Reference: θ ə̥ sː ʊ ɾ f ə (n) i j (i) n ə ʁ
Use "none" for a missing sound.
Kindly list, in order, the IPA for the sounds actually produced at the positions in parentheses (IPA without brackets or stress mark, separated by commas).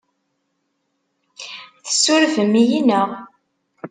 m, i